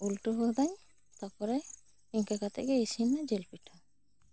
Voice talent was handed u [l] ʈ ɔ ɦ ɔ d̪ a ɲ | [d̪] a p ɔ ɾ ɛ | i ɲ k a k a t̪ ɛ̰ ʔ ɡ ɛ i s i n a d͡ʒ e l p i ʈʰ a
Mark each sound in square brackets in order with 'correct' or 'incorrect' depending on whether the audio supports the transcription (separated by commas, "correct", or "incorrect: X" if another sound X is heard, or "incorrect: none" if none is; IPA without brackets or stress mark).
correct, incorrect: t̪